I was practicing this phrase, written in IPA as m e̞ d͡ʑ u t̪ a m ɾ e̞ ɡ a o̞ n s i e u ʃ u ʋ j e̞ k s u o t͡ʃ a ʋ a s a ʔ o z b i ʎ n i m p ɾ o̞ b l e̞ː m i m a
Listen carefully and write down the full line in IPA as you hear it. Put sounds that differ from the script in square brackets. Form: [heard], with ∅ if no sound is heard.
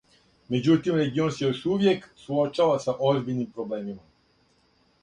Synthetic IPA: m e̞ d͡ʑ u t̪ [i] m ɾ e̞ ɡ [i] o̞ n s [j] e u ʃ u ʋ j e̞ k s u o t͡ʃ a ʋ a s a ʔ o z b i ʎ n i m p ɾ o̞ b l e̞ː m i m a